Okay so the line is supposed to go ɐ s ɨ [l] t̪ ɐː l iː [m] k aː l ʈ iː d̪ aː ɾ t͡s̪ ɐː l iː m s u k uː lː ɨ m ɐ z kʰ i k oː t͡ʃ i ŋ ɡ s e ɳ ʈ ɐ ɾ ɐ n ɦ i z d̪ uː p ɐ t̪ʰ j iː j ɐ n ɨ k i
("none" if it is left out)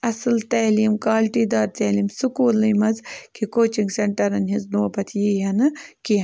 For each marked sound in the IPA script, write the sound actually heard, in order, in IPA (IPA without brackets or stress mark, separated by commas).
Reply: l, m